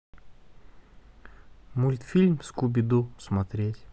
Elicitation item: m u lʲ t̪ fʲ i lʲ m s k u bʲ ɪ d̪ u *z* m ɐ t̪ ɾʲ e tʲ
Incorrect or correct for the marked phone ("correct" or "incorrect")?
incorrect